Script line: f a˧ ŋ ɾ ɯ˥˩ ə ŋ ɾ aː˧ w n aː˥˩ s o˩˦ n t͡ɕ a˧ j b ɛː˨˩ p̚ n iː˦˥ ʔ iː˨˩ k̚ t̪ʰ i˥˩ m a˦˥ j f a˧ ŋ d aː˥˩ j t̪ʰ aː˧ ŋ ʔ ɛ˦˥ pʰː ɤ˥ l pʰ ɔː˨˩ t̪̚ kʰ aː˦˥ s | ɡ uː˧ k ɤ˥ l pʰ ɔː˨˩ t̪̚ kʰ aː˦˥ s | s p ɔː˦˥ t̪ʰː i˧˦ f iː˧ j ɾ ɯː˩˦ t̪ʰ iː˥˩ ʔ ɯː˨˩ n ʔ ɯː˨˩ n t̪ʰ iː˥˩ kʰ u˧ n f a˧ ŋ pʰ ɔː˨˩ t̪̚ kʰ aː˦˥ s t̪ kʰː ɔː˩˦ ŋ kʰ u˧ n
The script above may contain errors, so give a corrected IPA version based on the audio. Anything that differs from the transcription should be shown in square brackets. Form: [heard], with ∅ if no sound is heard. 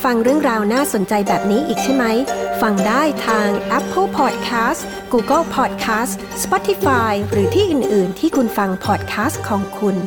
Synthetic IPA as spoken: f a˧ ŋ ɾ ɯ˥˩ ə ŋ ɾ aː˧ w n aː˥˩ s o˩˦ n t͡ɕ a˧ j b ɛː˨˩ p̚ n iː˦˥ ʔ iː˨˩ k̚ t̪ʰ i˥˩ m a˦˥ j f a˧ ŋ d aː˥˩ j t̪ʰ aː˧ ŋ ʔ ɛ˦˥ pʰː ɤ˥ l pʰ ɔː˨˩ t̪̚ kʰ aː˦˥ s | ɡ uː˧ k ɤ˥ l pʰ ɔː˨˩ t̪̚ kʰ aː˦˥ s | s p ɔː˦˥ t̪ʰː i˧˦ f [aː˧] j ɾ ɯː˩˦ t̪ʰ iː˥˩ ʔ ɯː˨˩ n ʔ ɯː˨˩ n t̪ʰ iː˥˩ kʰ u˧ n f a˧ ŋ pʰ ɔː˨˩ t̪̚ kʰ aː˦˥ s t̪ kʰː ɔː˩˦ ŋ kʰ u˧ n